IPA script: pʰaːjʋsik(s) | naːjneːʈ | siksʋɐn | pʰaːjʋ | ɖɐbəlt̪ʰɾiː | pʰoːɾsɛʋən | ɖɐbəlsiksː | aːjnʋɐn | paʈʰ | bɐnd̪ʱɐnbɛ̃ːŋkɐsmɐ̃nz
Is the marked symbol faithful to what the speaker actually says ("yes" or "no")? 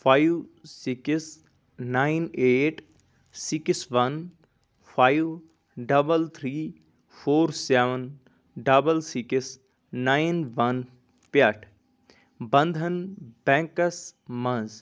yes